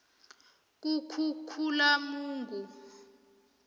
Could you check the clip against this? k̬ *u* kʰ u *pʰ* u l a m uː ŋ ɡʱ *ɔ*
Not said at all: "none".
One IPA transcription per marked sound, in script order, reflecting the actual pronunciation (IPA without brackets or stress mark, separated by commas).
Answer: u, kʰ, u